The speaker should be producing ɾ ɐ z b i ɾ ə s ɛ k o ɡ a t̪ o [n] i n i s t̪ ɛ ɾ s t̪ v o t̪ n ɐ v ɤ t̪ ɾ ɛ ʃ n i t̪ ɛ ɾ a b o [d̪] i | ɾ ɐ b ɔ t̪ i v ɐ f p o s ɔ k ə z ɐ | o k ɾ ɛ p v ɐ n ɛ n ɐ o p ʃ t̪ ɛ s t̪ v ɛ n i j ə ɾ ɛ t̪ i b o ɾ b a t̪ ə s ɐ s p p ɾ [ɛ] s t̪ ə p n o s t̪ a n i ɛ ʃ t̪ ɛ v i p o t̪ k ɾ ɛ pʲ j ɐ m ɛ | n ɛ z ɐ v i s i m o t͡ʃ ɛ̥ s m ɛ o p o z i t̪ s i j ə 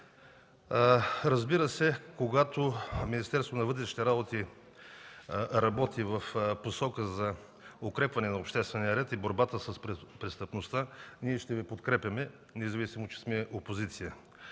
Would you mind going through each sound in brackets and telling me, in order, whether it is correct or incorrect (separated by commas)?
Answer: incorrect, incorrect, correct